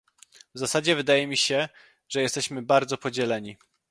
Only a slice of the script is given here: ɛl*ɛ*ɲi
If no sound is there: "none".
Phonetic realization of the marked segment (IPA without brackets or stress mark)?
ɛ